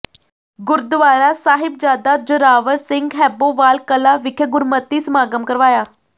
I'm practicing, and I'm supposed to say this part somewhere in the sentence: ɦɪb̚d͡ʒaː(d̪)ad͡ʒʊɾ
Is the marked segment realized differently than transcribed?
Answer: no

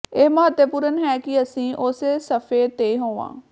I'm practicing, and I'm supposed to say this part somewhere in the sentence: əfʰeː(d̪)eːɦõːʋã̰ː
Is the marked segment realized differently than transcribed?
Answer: yes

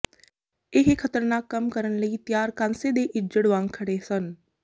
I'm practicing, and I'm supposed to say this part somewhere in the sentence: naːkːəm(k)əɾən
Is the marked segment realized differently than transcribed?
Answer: no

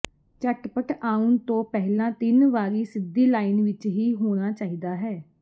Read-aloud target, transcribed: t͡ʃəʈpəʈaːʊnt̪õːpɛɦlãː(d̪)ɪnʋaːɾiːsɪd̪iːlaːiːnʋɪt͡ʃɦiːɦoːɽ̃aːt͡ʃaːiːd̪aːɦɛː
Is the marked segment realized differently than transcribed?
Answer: yes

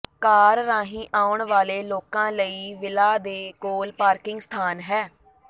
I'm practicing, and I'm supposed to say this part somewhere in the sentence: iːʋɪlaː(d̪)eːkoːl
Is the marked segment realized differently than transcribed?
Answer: no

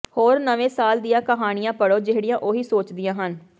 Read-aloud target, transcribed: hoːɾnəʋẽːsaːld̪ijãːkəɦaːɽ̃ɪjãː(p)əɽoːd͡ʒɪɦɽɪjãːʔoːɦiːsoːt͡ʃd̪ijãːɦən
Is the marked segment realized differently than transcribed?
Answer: no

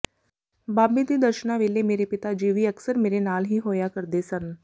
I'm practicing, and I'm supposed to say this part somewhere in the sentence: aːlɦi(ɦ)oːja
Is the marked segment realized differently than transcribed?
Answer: no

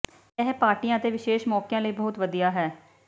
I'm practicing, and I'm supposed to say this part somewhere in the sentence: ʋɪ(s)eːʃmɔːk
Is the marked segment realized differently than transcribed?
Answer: yes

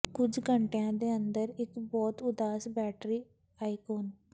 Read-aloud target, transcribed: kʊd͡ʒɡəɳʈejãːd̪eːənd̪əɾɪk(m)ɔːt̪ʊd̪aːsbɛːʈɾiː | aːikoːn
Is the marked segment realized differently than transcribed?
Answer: yes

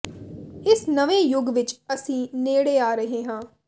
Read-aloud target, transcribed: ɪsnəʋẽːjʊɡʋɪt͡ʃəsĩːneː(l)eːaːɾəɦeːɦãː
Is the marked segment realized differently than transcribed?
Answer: yes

